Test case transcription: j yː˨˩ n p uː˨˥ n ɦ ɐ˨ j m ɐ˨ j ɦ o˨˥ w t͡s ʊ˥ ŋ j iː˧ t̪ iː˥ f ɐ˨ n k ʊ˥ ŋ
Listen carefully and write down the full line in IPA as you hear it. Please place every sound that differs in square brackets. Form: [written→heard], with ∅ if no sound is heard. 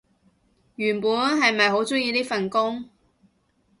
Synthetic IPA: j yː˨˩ n p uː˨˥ n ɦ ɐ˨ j m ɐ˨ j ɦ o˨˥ w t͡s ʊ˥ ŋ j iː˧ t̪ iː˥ f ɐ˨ n k ʊ˥ ŋ